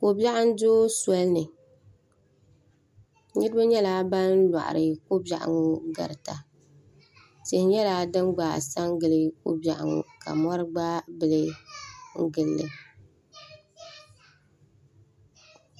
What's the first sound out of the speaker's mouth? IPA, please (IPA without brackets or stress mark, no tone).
k